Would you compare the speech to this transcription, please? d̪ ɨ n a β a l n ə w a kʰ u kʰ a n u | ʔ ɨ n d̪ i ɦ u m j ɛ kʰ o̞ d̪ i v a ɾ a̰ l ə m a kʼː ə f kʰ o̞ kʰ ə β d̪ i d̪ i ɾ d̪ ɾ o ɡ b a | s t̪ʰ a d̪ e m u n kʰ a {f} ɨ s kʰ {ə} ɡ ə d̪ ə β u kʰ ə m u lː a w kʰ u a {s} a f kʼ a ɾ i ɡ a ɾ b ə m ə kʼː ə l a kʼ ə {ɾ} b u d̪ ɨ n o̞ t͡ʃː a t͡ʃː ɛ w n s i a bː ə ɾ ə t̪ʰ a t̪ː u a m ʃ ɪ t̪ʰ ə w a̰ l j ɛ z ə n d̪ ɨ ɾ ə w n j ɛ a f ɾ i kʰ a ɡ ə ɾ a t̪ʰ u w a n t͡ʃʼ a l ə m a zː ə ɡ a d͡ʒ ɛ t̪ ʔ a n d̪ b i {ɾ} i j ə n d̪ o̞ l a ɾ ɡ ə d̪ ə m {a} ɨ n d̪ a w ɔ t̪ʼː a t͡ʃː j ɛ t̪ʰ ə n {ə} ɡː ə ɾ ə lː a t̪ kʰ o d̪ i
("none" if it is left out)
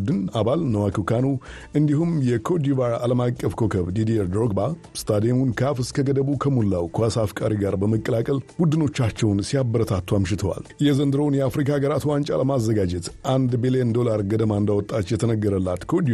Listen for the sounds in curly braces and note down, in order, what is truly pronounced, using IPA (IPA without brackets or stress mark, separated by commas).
f, ə, s, l, l, a, ə